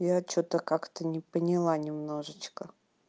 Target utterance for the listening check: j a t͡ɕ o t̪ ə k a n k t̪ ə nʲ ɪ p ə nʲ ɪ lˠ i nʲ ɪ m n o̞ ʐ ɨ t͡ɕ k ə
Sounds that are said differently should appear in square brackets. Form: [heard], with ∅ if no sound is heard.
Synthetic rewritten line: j a t͡ɕ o t̪ ə k a [∅] k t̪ ə nʲ ɪ p ə nʲ ɪ lˠ [a] nʲ ɪ m n o̞ ʐ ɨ t͡ɕ k ə